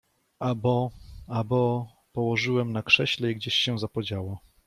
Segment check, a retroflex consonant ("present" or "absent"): present